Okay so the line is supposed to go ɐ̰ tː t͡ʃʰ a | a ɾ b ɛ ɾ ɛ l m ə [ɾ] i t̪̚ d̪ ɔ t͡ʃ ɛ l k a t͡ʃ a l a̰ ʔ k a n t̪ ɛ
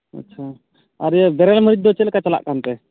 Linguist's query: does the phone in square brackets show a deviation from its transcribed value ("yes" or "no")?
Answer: no